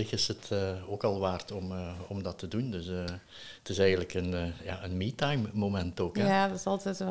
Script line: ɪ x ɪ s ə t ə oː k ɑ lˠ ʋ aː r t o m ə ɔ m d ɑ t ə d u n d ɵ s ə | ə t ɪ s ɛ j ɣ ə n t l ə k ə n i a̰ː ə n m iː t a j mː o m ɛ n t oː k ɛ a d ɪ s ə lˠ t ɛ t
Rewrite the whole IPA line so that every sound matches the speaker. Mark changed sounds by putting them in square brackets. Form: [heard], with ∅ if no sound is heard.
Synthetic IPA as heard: ɪ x ɪ s ə t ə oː k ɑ lˠ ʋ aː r t [ɔ] m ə ɔ m d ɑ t ə d u n d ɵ s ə | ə t ɪ s ɛ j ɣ ə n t l ə k ə n [j] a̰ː ə n m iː t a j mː o m ɛ n t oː k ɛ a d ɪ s [ɑ] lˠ t ɛ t